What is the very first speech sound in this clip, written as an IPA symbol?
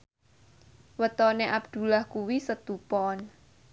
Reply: w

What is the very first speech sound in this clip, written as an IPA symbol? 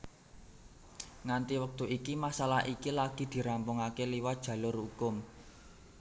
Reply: ŋ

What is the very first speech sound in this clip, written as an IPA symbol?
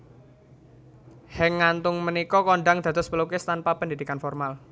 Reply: h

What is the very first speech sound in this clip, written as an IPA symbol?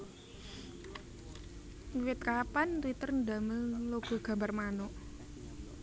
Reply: w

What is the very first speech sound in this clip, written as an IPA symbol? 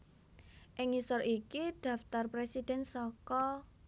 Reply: ʔ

